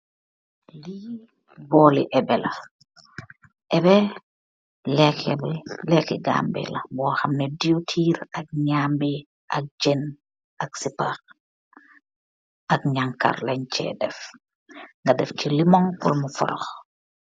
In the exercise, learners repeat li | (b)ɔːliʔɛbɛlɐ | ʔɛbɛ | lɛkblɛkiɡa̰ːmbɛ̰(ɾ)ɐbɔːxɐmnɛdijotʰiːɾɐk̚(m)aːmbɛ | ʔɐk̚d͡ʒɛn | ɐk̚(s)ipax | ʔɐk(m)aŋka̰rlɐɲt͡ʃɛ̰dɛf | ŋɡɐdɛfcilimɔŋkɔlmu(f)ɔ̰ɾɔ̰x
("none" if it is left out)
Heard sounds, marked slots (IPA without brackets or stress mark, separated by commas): b, l, ɲ, s, ɲ, f